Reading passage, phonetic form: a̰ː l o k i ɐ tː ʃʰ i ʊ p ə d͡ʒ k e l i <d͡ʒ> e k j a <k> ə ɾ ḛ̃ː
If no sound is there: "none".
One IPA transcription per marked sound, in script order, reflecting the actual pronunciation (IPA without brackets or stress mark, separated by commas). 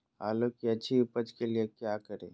none, k